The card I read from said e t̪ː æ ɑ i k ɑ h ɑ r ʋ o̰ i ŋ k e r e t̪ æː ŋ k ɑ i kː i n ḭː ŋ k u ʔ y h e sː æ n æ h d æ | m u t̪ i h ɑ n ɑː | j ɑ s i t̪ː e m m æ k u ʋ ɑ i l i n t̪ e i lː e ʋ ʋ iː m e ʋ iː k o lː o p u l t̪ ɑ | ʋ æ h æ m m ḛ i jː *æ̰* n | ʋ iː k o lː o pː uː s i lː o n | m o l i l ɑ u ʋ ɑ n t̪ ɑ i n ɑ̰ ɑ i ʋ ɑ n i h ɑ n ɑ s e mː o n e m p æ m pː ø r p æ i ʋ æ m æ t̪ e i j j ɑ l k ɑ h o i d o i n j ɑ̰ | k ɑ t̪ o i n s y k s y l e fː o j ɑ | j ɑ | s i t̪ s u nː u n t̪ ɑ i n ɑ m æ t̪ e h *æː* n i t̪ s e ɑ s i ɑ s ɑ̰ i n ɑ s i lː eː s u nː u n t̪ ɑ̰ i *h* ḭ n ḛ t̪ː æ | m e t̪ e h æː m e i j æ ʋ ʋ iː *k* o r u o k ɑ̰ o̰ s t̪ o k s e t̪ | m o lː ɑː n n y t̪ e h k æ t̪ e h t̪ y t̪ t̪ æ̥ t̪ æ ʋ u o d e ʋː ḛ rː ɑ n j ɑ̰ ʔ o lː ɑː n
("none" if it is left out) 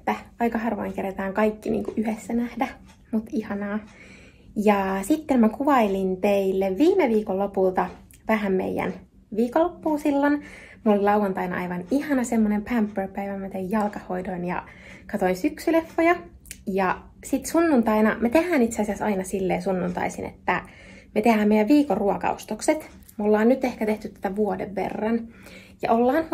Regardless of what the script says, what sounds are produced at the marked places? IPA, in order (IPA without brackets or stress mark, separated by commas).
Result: æ̰, æː, s, k